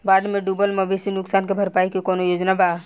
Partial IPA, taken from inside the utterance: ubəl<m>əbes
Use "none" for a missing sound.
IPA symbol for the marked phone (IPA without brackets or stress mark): m